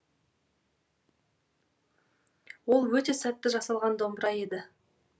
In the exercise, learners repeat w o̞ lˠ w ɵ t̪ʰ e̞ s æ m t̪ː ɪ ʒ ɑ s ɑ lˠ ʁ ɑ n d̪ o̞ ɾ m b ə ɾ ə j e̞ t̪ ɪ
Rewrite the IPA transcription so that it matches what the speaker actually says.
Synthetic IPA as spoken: w o̞ lˠ w ɵ t̪ e̞ s æ t̪ː ɪ ʒ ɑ s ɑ lˠ ʁ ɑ n d̪ o̞ m b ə ɾ ɑ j e̞ d̪ ɪ